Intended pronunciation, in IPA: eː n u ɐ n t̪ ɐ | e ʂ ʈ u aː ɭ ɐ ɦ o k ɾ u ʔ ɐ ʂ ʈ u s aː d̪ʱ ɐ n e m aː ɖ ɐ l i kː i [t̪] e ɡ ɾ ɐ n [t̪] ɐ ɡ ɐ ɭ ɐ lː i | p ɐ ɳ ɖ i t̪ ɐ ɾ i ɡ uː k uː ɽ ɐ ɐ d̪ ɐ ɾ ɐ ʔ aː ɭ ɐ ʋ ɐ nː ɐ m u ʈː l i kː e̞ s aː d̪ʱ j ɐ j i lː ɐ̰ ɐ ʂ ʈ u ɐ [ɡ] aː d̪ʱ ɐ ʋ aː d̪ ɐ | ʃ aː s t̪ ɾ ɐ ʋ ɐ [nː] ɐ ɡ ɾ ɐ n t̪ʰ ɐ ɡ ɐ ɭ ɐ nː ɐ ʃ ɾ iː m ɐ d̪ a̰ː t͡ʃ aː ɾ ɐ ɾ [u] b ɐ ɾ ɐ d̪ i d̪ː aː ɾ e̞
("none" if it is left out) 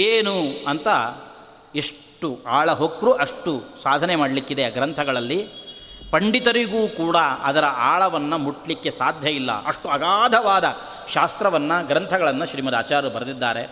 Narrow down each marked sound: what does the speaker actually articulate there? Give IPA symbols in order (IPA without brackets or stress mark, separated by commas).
d̪, t̪ʰ, ɡ, nː, u